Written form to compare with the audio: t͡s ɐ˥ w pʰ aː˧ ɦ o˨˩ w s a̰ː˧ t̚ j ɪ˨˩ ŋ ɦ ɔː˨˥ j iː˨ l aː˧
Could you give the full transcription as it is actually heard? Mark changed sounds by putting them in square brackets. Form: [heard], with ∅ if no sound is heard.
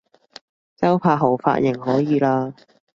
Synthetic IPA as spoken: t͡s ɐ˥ w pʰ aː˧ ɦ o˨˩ w [f] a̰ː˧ t̚ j ɪ˨˩ ŋ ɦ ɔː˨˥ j iː˨ l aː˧